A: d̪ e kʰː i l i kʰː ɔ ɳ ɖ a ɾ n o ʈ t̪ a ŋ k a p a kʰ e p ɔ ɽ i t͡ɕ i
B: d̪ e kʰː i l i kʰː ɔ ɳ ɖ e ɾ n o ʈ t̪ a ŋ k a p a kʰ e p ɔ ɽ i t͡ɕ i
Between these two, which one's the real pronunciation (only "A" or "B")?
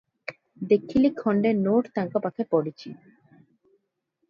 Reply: B